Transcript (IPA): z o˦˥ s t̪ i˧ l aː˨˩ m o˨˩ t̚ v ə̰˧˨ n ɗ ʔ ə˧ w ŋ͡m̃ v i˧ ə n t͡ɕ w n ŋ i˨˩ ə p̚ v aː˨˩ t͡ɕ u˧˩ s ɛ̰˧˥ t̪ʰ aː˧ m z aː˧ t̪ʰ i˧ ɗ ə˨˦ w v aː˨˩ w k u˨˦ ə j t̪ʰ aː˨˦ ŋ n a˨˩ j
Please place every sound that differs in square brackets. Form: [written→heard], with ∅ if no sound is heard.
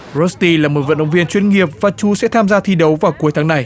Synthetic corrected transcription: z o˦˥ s t̪ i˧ l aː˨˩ m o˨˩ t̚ v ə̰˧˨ n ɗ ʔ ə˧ w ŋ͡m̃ v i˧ ə n t͡ɕ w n ŋ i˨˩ ə p̚ v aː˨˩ t͡ɕ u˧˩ s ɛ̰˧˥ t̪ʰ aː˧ m z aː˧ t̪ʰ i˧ ɗ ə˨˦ w v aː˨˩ w k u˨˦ ə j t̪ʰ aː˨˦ ŋ n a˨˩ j

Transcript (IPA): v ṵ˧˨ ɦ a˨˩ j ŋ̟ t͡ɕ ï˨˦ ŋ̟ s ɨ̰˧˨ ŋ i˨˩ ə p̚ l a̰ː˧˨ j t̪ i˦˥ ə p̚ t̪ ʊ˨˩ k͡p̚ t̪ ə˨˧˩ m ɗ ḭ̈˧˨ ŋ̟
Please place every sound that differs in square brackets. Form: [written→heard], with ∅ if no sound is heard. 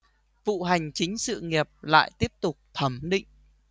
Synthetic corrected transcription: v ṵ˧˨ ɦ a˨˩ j ŋ̟ t͡ɕ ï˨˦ ŋ̟ s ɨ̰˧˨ ŋ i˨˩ ə p̚ l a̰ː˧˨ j t̪ i˦˥ ə p̚ t̪ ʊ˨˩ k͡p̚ [t̪→t̪ʰ] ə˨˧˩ m ɗ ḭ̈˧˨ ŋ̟

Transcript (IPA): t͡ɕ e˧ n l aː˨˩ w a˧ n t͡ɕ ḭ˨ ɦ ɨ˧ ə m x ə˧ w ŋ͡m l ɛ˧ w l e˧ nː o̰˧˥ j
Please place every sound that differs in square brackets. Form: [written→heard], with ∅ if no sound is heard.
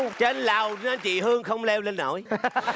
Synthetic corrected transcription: t͡ɕ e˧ n l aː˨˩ w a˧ n t͡ɕ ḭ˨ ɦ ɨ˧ ə [m→ŋ] x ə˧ w ŋ͡m l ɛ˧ w l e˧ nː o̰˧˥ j

